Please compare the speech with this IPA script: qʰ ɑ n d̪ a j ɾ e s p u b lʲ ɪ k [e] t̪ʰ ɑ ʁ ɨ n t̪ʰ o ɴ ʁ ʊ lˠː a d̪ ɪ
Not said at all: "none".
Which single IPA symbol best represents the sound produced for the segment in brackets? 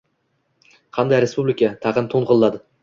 a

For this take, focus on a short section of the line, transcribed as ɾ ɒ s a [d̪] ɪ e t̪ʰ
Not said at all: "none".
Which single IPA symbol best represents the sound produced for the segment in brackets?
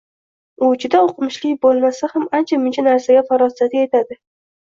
t̪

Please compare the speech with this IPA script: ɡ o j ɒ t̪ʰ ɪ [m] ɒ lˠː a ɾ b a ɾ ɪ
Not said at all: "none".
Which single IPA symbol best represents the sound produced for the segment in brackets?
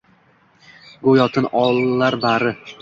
n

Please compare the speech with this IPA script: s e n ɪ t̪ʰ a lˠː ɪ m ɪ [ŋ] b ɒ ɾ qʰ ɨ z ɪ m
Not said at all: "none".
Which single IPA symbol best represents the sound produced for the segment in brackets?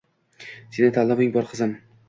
ŋ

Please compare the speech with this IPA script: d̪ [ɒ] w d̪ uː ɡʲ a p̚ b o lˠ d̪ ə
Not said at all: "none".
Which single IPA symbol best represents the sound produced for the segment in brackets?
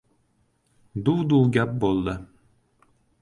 u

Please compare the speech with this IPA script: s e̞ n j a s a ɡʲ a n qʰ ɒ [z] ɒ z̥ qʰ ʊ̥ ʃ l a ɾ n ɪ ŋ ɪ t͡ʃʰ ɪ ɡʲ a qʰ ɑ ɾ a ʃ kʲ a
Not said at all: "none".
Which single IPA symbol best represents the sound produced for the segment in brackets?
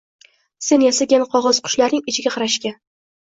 ʁ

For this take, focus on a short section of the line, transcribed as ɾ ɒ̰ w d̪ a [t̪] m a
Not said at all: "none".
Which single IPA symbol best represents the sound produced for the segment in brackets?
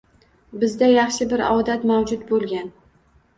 t̪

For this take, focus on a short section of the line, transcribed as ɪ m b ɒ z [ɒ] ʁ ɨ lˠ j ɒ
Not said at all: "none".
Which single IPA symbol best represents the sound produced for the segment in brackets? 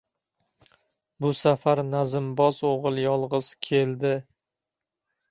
o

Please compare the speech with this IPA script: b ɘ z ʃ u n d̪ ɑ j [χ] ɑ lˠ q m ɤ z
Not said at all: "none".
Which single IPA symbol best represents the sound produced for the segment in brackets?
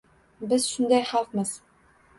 χ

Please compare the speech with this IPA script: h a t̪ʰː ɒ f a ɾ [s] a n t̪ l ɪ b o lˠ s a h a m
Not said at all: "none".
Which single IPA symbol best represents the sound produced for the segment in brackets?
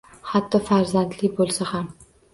z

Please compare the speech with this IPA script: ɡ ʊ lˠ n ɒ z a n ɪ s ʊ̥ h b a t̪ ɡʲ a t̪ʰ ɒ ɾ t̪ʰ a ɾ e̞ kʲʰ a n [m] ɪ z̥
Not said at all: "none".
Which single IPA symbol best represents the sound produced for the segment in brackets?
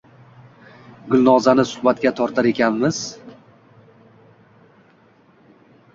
m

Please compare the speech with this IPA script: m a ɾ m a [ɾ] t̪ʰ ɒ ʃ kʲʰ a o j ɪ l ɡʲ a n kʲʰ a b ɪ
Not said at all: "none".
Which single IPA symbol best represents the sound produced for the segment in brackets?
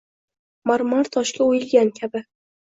ɾ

